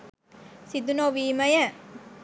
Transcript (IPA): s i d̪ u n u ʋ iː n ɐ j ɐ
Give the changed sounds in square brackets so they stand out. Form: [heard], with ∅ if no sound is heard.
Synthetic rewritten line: s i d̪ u n [o] ʋ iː [m] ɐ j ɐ

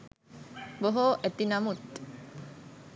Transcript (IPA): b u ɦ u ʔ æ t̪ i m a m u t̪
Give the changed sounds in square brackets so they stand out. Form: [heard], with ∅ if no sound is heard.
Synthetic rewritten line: b [o] ɦ [o] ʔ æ t̪ i [n] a m u t̪

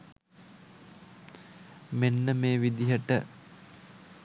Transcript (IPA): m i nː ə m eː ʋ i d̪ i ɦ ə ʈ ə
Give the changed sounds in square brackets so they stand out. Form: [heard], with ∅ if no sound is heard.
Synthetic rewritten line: m [e] nː ə m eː ʋ i d̪ i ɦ ə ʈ ə

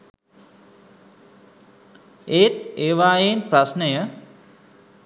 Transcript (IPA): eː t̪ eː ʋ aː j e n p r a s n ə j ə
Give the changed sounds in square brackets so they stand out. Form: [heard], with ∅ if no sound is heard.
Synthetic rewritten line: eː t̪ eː ʋ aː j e n p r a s n ə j ə

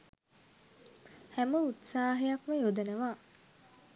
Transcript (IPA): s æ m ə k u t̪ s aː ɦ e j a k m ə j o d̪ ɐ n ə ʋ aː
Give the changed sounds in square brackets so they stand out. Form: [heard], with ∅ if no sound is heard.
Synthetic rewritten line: [h] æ m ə [∅] u t̪ s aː ɦ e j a k m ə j o d̪ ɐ n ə ʋ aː

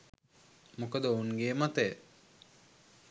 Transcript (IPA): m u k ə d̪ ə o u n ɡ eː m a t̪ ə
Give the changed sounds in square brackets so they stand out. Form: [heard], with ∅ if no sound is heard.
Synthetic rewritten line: m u k ə d̪ ə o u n ɡ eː m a t̪ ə

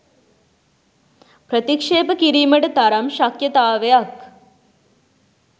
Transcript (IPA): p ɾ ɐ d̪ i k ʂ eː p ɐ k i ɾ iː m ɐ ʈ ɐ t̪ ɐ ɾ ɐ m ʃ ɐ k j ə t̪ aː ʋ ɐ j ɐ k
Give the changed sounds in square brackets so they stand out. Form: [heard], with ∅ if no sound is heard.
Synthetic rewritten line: p ɾ ɐ [t̪] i k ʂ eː p ɐ k i ɾ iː m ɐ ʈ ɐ t̪ ɐ ɾ ɐ m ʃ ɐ k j [ɐ] t̪ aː ʋ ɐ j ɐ k

